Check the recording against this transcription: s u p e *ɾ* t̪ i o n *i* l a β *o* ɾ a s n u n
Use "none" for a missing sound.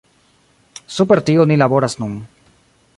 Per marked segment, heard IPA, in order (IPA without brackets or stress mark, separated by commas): ɾ, i, o